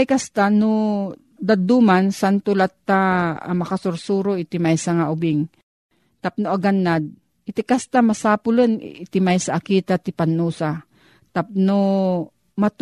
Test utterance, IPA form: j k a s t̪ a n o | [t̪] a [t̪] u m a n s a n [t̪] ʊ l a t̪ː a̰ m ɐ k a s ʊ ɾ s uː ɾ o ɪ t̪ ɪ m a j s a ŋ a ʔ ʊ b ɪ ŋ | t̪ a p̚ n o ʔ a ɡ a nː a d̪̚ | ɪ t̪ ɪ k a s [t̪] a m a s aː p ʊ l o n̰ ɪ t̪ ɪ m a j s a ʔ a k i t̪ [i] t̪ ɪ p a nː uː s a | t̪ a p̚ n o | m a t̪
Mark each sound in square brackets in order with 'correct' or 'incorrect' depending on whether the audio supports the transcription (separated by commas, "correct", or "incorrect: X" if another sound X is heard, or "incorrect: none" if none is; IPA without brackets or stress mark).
incorrect: d̪, incorrect: d̪, correct, correct, incorrect: a